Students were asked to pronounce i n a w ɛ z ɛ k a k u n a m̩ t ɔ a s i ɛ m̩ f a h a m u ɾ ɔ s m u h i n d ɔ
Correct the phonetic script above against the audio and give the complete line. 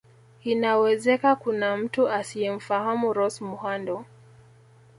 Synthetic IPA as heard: i n a w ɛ z ɛ k a k u n a m̩ t u a s i ɛ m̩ f a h a m u ɾ ɔ s m u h a n d ɔ